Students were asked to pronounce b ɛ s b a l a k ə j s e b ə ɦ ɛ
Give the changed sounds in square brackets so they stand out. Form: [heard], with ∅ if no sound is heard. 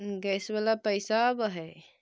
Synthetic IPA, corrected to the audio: [ɡ] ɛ s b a l a [p] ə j s [a] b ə ɦ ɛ